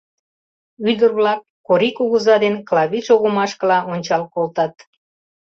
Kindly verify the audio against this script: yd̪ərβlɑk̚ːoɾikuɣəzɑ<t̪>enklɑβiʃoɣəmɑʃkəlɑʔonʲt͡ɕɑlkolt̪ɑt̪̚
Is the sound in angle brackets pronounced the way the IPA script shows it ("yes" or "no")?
no